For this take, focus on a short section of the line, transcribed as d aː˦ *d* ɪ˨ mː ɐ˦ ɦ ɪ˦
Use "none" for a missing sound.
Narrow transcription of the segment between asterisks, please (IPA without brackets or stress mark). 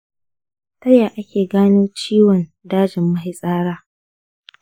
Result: d͡ʒ